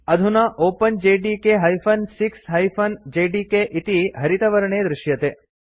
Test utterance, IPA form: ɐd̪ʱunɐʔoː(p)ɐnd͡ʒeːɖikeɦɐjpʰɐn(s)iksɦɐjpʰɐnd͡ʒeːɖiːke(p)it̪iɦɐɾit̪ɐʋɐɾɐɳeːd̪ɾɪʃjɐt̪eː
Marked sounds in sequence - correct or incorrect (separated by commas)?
correct, correct, incorrect